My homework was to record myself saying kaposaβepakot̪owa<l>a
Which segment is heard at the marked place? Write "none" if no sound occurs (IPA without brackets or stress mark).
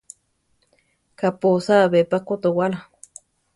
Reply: l